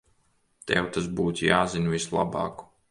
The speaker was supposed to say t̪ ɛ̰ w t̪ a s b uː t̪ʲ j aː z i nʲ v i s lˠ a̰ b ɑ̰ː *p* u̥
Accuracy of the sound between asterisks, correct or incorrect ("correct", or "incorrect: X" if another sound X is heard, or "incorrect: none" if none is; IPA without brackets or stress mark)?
incorrect: k